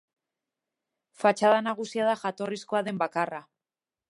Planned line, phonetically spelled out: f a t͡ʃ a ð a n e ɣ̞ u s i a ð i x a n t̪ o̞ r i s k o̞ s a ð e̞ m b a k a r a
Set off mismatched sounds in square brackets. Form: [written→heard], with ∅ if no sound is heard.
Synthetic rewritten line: f a t͡ʃ a ð a n [e→a] ɣ̞ u s i a ð [i→a] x a [n→∅] t̪ o̞ r i s k o̞ [s→∅] a ð e̞ m b a k a r a